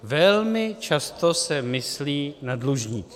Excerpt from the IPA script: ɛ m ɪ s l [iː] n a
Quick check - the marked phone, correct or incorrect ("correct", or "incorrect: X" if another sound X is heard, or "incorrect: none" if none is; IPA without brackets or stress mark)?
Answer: correct